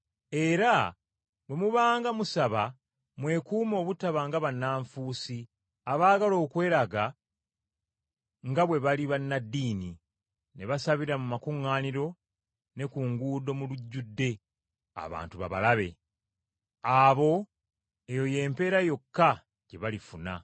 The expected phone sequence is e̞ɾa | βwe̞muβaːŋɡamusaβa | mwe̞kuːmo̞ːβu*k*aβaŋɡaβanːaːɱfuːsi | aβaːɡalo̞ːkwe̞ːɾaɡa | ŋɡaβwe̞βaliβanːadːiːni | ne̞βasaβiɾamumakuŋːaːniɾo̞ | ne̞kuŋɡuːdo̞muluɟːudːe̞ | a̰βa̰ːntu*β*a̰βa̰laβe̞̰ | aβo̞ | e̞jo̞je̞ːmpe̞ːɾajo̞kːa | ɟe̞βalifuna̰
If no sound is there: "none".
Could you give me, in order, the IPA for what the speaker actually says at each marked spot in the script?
t, β

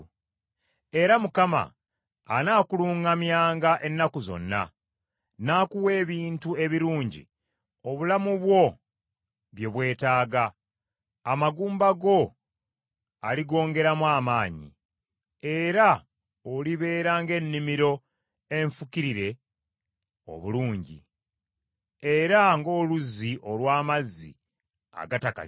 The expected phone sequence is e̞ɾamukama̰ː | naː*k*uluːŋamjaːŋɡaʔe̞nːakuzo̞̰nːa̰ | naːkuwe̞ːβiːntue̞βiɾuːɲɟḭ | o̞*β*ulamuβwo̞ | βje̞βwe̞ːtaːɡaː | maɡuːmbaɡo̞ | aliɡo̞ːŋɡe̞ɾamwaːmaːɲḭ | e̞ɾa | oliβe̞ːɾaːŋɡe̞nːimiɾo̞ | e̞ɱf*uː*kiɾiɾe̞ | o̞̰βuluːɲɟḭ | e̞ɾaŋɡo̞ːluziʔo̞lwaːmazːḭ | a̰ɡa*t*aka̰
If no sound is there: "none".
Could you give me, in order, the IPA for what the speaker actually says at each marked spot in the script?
k, β, u, t

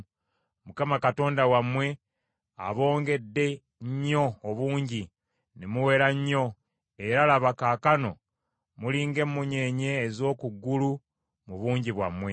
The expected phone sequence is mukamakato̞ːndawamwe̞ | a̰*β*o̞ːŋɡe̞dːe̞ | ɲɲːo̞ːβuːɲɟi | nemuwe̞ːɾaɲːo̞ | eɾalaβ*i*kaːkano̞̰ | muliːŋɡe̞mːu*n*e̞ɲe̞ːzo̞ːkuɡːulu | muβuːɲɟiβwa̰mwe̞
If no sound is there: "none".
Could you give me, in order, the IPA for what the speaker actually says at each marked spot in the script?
β, a, ɲ

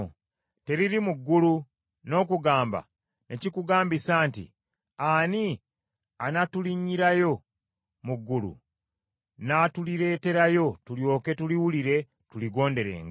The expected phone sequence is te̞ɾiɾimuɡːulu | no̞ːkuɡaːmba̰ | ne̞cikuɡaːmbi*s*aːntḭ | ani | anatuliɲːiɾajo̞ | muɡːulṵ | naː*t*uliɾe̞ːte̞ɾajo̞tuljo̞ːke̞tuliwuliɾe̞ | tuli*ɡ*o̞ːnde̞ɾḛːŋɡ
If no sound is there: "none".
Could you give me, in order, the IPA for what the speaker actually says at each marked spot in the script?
s, t, ɡ

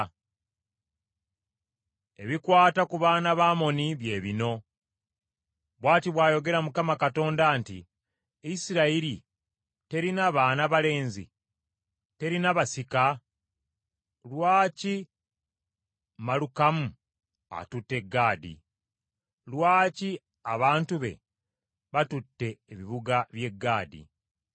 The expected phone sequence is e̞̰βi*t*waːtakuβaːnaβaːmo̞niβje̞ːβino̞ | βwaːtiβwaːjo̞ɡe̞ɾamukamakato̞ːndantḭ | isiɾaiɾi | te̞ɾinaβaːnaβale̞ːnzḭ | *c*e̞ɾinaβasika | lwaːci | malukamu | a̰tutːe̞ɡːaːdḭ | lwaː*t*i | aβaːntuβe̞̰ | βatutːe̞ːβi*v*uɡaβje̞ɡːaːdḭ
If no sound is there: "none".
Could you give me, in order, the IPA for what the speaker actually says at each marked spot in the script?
k, t, c, β

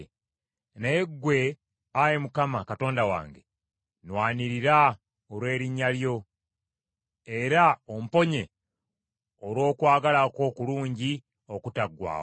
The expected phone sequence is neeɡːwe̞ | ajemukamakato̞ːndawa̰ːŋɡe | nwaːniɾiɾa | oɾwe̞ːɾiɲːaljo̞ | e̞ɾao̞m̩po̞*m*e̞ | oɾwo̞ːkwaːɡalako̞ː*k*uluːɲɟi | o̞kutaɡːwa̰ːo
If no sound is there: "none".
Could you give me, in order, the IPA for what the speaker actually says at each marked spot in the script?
ɲ, k

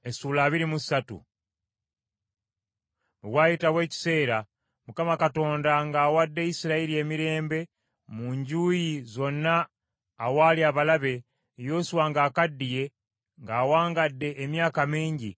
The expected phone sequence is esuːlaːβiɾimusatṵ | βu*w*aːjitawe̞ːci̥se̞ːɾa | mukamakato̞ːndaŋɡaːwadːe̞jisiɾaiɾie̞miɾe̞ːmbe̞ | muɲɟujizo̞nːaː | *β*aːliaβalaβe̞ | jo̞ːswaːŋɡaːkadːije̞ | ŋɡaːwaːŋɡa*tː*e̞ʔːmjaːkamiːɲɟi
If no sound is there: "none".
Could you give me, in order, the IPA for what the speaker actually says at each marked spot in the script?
w, w, dː

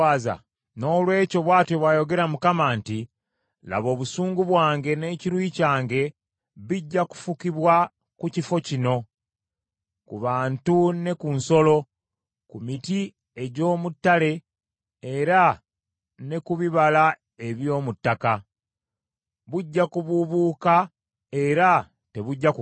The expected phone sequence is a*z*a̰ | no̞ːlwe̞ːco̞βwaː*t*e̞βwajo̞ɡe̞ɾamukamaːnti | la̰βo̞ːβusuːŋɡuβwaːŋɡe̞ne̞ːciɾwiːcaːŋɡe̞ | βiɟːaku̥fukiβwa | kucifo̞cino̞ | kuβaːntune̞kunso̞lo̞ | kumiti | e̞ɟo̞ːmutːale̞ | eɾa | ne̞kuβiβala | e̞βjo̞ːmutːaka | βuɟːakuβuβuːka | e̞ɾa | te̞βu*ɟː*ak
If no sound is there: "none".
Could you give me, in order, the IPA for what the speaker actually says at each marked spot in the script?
z, t, ɟː

